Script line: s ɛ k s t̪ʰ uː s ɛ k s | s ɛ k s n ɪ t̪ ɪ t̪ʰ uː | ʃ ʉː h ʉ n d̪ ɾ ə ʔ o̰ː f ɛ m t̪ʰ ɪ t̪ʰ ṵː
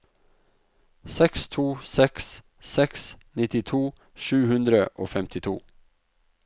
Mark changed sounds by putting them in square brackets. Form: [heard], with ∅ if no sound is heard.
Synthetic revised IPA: s ɛ k s t̪ʰ uː s ɛ k s | s ɛ k s n ɪ t̪ ɪ t̪ʰ uː | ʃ ʉː h ʉ n d̪ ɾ ə ʔ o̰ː f ɛ m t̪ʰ ɪ t̪ʰ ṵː